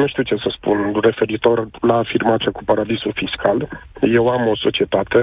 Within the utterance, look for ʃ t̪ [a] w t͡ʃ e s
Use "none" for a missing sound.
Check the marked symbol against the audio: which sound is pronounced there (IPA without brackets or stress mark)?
i